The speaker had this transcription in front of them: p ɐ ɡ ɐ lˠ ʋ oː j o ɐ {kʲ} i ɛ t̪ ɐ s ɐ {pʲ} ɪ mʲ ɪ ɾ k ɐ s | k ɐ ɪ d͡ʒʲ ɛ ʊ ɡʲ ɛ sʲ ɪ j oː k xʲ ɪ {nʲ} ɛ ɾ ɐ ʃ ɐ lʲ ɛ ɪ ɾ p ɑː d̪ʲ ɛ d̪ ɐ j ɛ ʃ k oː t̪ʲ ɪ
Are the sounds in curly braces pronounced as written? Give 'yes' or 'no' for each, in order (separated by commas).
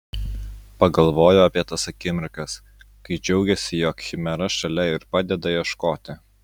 no, no, no